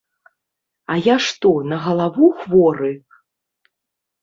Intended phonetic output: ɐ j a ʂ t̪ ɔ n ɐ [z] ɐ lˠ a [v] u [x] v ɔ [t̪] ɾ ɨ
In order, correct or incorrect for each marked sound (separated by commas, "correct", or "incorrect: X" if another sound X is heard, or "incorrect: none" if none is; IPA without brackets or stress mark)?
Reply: incorrect: ɣ, correct, correct, incorrect: none